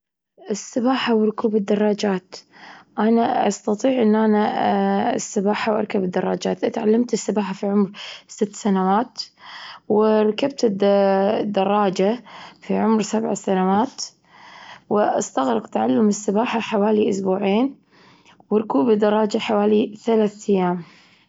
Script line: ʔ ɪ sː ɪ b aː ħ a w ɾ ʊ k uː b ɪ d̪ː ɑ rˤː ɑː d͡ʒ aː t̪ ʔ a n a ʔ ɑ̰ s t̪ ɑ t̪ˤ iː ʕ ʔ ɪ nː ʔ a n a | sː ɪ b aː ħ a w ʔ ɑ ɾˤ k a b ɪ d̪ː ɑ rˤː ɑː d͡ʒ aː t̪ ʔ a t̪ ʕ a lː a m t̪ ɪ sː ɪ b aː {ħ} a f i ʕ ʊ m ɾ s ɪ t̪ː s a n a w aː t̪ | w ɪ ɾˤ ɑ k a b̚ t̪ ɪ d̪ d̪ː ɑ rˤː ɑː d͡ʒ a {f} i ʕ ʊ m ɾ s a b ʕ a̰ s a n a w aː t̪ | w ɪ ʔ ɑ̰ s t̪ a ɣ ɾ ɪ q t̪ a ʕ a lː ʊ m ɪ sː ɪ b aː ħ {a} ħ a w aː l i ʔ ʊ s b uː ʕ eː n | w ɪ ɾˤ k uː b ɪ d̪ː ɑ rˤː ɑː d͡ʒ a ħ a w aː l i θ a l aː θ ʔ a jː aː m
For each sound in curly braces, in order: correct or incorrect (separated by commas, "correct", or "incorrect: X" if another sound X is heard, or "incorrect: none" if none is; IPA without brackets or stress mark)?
correct, correct, correct